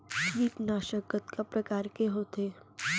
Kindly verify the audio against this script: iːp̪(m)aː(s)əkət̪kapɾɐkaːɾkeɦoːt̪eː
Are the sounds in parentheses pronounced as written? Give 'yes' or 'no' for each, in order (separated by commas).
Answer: no, no